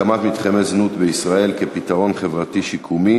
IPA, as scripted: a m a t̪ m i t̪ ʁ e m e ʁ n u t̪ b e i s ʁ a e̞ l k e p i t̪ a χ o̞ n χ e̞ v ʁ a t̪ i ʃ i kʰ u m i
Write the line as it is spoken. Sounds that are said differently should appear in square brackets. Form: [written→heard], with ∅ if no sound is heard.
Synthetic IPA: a m a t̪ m i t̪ [ʁ→χ] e m e [ʁ→z] n u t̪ b e i s ʁ a e̞ l k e p i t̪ a [χ→ʁ] o̞ n χ e̞ v ʁ a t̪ i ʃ i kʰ u m i

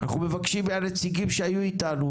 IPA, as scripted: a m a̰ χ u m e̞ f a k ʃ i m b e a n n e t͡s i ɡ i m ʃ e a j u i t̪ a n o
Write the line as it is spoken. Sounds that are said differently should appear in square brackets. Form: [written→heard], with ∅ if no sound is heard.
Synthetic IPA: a [m→n] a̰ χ u m e̞ [f→v] a k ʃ i m b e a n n e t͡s i ɡ i m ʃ e a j u i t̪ a n [o→u]

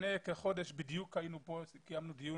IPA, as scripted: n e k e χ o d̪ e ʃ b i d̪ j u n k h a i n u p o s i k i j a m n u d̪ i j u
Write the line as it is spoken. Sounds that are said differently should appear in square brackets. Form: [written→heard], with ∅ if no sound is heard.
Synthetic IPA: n e k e χ o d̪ e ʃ b i d̪ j u [n→∅] k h a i n u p o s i k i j a m n u d̪ i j u

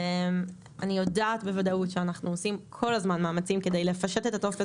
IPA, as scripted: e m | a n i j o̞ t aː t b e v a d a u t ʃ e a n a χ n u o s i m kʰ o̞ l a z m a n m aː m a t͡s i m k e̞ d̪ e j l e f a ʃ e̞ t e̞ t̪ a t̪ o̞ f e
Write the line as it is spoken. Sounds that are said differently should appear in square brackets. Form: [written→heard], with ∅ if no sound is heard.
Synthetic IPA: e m | a n i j o̞ [t→d] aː t b e v a d a u t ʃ e a n a χ n u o s i m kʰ o̞ l a z m a n m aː m a t͡s i m k e̞ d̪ e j l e f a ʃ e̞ t e̞ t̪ a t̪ o̞ f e

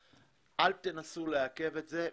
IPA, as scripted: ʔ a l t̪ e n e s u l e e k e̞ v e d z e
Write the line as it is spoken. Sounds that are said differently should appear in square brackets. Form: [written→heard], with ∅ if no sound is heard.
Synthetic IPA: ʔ a l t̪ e n [e→a] s u l e [e→a] k e̞ v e [d→t] z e

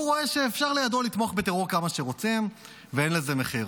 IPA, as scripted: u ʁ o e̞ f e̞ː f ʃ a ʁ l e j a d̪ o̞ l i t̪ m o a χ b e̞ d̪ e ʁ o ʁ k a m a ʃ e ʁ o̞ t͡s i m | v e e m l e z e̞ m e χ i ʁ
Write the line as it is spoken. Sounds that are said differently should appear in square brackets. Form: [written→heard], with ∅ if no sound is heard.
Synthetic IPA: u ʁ o e̞ [f→ʃ] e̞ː f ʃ a ʁ l e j a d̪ o̞ l i t̪ m o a χ b e̞ [d̪→t̪] e ʁ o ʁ k a m a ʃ e ʁ o̞ t͡s i m | v e e [m→n] l e z e̞ m e χ i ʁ

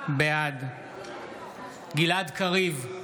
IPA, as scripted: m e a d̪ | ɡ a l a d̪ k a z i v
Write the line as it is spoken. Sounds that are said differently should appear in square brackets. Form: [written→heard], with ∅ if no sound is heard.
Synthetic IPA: [m→b] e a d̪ | ɡ [a→i] l a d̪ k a [z→ʁ] i v

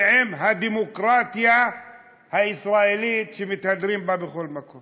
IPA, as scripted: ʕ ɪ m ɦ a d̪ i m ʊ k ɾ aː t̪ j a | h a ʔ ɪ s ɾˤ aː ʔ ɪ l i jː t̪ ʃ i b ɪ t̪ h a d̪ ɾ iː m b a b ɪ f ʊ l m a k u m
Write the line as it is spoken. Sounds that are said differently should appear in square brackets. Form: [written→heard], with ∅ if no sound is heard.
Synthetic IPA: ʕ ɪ m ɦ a d̪ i m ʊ k ɾ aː t̪ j a | h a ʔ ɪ s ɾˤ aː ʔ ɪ l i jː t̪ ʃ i [b→m] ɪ t̪ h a d̪ ɾ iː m b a b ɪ [f→x] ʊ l m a k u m

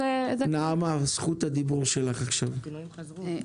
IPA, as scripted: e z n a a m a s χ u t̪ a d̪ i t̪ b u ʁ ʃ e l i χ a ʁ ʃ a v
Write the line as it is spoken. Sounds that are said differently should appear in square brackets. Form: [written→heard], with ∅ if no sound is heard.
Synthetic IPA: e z n a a m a s χ u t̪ a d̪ i [t̪→∅] b u ʁ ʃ e l [i→a] χ a [ʁ→χ] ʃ a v

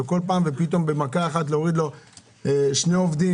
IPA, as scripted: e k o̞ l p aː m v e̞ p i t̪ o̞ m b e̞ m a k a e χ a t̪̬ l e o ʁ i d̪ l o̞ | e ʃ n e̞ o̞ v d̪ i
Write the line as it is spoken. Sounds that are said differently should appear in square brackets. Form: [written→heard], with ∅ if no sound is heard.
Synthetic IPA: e k o̞ l p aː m v e̞ p i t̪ o̞ m b e̞ m a k a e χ a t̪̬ l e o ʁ i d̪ l o̞ | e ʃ n e̞ o̞ v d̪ i

